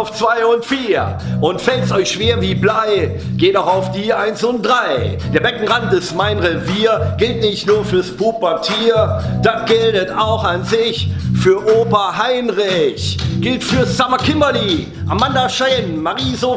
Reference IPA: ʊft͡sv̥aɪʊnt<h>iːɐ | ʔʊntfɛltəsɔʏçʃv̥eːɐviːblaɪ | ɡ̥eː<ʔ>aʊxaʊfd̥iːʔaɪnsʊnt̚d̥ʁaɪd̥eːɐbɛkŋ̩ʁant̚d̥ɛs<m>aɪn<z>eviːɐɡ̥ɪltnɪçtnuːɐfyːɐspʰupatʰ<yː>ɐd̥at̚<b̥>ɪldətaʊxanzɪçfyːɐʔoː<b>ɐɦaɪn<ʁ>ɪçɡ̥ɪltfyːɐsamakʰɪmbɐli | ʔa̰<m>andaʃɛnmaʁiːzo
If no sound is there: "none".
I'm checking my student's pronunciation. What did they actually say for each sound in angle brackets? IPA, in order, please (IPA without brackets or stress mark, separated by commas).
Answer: f, t, m, ʁ, iː, ɡ̥, p, ʁ, m